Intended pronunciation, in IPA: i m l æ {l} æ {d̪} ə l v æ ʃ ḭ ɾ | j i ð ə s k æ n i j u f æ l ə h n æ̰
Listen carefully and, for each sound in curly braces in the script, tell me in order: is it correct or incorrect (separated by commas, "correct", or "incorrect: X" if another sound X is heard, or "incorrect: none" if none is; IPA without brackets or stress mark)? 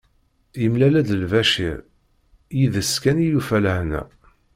correct, correct